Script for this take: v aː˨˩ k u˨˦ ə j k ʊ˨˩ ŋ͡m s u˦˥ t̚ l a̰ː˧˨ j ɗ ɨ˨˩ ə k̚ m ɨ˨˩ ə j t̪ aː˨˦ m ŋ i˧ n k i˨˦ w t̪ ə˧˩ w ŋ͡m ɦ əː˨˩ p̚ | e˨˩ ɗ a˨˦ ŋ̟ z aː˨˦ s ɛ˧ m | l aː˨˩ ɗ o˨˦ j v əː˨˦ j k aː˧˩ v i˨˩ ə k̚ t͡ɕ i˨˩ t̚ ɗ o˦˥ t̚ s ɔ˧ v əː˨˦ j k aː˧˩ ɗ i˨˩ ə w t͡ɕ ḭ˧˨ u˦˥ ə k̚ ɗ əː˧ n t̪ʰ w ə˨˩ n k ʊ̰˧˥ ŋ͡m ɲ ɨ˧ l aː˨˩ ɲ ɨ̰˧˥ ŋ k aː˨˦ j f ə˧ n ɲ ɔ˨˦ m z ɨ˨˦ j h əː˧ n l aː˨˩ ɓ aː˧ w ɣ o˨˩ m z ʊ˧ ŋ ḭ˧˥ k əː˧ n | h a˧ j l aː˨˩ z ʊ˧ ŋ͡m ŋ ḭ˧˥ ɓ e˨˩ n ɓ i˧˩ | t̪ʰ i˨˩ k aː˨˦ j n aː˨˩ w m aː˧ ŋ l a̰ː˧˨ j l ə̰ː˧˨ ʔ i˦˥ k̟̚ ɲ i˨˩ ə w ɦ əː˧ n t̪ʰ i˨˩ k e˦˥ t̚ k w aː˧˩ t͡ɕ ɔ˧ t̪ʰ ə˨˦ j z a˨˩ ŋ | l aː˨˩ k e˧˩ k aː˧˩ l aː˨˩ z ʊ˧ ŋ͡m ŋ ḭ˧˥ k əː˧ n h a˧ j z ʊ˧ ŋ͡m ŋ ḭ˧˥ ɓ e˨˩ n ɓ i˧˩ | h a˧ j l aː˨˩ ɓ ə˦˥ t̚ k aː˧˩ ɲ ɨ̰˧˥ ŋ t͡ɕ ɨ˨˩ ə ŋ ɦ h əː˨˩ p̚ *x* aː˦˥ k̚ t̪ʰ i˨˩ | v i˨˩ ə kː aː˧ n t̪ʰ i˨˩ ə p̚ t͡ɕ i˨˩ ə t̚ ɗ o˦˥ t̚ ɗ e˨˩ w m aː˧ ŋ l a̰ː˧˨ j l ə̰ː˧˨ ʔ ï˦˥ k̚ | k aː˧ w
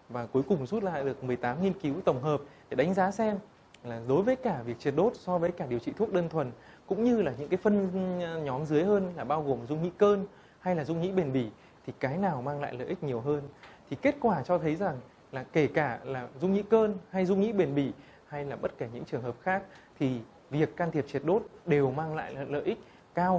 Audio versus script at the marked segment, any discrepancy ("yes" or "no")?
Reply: no